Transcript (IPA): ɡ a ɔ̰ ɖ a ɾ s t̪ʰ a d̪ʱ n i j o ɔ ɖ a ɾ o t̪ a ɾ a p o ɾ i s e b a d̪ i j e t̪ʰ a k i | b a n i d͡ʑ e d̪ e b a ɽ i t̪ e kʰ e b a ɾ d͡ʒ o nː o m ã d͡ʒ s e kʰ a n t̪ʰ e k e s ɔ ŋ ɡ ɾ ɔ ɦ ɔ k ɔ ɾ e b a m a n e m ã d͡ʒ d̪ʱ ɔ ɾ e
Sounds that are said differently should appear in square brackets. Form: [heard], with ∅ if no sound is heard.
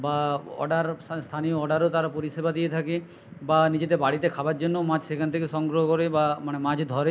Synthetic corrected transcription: [b] a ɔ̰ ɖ a ɾ s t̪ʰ a [∅] n i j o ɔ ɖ a ɾ o t̪ a ɾ a p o ɾ i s e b a d̪ i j e t̪ʰ a k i | b a n i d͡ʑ e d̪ e b a ɽ i t̪ e kʰ [a] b a ɾ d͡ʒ o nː o m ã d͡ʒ s e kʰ a n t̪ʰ e k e s ɔ ŋ ɡ ɾ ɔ ɦ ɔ k ɔ ɾ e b a m a n e m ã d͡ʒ d̪ʱ ɔ ɾ e